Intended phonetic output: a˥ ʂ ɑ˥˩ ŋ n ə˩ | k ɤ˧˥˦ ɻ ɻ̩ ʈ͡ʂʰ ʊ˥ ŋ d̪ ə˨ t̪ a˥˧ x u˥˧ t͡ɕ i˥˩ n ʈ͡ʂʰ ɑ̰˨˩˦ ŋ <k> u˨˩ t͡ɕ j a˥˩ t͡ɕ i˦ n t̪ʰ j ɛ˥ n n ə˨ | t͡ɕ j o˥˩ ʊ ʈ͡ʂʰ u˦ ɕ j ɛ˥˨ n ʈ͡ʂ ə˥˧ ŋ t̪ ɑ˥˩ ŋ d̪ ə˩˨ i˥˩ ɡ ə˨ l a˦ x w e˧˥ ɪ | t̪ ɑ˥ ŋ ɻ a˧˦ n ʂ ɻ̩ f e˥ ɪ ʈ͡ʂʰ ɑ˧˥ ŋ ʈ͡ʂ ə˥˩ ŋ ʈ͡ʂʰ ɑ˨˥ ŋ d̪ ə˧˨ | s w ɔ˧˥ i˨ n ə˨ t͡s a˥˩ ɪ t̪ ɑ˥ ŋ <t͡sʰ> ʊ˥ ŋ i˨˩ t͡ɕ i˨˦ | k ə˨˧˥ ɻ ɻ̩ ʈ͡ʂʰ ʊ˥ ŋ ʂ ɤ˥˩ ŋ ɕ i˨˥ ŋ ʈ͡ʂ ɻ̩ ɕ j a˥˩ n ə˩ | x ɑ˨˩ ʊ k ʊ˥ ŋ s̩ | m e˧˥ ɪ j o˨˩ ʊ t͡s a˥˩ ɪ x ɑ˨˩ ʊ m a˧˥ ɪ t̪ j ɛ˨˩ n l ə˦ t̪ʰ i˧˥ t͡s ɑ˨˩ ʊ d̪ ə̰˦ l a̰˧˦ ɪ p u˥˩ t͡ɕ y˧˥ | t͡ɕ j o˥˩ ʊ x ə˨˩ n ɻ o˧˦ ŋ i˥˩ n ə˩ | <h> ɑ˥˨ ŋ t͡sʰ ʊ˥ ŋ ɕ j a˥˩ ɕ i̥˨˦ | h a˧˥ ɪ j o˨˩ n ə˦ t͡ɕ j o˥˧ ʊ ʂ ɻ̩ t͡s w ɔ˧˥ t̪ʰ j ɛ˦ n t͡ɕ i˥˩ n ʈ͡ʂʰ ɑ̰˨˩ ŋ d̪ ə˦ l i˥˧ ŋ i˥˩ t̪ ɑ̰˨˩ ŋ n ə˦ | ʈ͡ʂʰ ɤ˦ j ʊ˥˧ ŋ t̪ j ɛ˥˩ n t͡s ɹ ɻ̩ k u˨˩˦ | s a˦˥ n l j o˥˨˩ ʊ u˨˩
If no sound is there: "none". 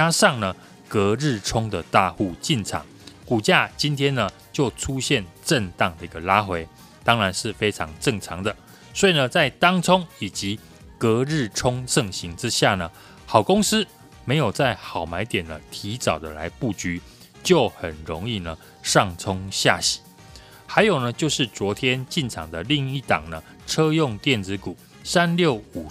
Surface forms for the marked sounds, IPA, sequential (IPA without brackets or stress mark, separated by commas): k, t͡sʰ, ʂ